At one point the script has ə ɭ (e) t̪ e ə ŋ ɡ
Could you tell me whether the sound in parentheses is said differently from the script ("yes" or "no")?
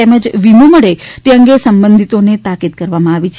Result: no